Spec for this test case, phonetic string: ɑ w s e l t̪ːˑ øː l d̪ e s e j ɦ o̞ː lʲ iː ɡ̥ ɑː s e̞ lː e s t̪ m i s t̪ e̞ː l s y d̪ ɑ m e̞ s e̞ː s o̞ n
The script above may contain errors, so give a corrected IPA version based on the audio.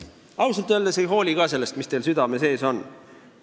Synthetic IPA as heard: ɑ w s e l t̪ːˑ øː l d̪ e s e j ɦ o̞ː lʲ i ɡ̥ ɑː s e̞ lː e s t̪ m i s t̪ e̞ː l s y d̪ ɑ m e̞ s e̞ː s o̞ n